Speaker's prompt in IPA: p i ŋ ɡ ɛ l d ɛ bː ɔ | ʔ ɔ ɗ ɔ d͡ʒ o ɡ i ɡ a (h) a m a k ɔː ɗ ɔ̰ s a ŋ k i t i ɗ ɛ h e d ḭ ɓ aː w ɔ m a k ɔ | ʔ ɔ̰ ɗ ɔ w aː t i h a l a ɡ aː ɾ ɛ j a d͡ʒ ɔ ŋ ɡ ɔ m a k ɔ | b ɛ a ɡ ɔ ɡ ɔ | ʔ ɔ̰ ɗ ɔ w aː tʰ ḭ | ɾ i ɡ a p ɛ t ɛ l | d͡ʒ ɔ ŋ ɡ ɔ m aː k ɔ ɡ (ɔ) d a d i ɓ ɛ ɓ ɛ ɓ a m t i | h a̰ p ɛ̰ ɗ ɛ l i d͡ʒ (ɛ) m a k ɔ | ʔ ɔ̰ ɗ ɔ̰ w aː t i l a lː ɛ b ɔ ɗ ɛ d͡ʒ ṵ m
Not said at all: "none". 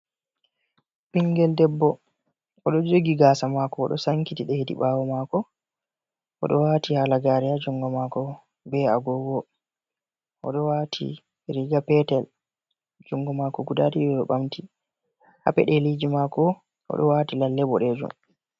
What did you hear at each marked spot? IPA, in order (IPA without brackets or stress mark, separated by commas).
s, u, i